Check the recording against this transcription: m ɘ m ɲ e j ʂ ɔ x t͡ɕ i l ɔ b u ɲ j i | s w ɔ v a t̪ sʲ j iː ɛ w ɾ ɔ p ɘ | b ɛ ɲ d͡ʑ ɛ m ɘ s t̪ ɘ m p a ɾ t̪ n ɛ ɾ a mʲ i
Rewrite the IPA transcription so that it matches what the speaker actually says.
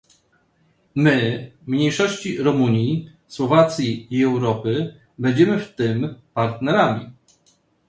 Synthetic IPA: m ɘ m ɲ e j ʂ ɔ ɕ t͡ɕ i ɾ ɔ m u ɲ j i | s w ɔ v a t̪ sʲ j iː ɛ w ɾ ɔ p ɘ | b ɛ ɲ d͡ʑ ɛ m ɘ f t̪ ɘ m p a ɾ t̪ n ɛ ɾ a mʲ i